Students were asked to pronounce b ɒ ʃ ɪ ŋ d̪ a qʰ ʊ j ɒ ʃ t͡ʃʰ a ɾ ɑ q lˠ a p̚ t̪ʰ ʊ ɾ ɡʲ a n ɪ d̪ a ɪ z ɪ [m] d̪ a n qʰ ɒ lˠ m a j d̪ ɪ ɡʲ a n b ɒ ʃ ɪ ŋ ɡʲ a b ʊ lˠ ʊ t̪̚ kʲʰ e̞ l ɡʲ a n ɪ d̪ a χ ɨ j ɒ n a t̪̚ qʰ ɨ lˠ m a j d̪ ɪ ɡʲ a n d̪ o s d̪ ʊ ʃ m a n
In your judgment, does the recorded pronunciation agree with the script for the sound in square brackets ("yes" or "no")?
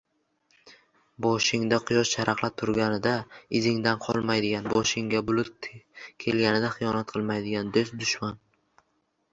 no